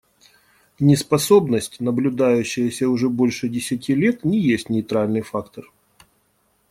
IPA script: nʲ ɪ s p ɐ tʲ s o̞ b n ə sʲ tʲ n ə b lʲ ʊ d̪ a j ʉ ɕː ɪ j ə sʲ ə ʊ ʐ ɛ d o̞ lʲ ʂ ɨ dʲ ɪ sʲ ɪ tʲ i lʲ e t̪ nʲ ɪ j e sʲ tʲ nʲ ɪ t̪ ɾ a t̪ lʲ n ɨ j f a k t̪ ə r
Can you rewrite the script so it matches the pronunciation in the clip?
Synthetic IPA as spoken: nʲ ɪ s p ɐ s o̞ b n ə sʲ tʲ n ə b lʲ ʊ d̪ a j ʉ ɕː ɪ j ə sʲ ə ʊ ʐ ɛ b o̞ lʲ ʂ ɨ dʲ ɪ sʲ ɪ tʲ i lʲ e t̪ nʲ ɪ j e sʲ tʲ nʲ ɪ t̪ ɾ a lʲ n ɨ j f a k t̪ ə r